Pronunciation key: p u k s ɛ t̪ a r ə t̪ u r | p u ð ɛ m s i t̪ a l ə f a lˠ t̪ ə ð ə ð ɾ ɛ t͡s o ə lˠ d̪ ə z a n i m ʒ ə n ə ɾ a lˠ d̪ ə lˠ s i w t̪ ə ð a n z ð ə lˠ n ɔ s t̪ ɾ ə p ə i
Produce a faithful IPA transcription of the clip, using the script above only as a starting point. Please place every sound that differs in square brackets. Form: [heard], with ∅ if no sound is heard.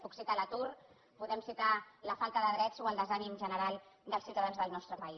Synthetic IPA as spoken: p u k s [i] t̪ a [l] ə t̪ u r | p u ð ɛ m s i t̪ a l ə f a lˠ t̪ ə ð ə ð ɾ ɛ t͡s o ə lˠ d̪ ə z a n i m ʒ ə n ə ɾ a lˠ d̪ ə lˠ s i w t̪ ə ð a n z ð ə lˠ n ɔ s t̪ ɾ ə p ə i